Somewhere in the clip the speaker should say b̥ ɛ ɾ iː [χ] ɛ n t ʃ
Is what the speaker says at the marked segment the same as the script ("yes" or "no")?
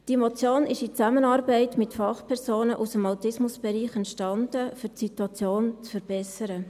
yes